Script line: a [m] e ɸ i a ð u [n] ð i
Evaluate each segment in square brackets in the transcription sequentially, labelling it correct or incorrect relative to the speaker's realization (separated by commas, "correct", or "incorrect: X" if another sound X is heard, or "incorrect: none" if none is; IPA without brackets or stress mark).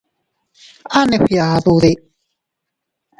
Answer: incorrect: n, incorrect: none